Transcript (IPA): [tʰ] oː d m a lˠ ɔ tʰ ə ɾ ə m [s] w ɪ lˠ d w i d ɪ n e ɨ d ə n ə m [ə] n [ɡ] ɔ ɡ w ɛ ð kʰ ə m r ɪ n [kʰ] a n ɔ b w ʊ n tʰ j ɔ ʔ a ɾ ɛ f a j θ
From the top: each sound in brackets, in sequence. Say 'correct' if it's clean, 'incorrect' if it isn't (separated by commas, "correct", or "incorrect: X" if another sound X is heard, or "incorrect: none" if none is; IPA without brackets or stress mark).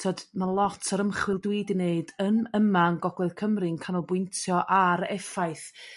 correct, incorrect: χ, incorrect: a, correct, correct